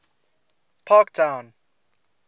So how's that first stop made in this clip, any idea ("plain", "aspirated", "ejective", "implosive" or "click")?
aspirated